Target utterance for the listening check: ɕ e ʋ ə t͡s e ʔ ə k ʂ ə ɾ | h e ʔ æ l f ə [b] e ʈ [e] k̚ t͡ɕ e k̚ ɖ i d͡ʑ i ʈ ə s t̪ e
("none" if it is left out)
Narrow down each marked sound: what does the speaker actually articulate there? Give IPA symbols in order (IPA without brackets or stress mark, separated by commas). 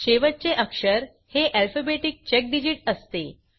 b, i